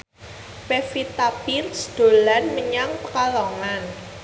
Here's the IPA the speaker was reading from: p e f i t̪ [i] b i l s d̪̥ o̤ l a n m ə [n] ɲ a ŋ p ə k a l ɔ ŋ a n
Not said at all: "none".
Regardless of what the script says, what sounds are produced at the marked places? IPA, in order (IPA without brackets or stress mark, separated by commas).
a, none